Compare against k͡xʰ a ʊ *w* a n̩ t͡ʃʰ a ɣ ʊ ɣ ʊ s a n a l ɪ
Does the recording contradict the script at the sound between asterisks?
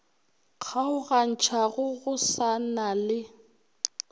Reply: yes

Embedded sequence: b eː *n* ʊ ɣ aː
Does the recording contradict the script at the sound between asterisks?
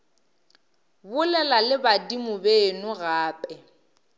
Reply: no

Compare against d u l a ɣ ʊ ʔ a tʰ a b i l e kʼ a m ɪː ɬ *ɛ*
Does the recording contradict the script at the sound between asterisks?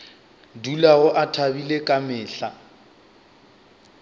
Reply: yes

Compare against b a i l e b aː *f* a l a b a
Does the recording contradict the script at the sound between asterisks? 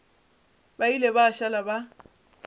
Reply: yes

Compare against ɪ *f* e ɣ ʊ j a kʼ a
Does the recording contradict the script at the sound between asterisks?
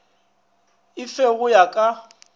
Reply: no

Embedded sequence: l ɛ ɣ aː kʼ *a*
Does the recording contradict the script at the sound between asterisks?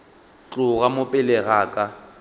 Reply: no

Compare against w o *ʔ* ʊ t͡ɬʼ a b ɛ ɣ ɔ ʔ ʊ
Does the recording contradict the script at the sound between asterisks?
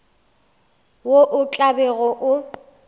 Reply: no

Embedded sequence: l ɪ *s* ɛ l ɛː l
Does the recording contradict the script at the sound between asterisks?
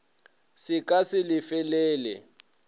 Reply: yes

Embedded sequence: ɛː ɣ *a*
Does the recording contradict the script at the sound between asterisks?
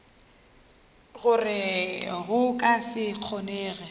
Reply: yes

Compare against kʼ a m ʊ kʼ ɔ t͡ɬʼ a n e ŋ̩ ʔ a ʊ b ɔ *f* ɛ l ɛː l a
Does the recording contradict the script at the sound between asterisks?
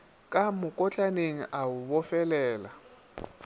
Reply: no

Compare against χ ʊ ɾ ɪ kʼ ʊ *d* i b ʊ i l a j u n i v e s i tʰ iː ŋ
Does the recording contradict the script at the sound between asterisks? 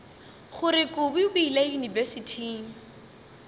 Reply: yes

